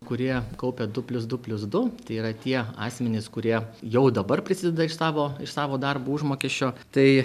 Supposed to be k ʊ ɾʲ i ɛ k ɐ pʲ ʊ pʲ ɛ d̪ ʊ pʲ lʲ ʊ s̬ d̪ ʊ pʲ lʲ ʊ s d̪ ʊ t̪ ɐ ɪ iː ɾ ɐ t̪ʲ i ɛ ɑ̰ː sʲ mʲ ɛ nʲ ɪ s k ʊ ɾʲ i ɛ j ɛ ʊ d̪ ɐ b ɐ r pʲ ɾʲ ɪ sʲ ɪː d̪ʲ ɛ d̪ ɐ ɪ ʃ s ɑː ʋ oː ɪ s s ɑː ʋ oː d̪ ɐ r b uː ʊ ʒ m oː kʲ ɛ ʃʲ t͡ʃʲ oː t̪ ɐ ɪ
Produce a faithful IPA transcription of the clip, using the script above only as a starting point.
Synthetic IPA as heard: k ʊ ɾʲ i ɛ k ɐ ʊ pʲ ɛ d̪ ʊ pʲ lʲ ʊ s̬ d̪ ʊ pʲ lʲ ʊ s d̪ ʊ t̪ ɐ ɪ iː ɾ ɐ t̪ʲ i ɛ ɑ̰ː sʲ mʲ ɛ nʲ ɪ s k ʊ ɾʲ i ɛ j ɛ ʊ d̪ ɐ b ɐ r pʲ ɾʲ ɪ sʲ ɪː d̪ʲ ɛ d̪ ɐ ɪ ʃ s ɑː ʋ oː ɪ ʃ s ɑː ʋ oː d̪ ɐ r b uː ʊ ʒ m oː kʲ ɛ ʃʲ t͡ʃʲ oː t̪ ɐ ɪ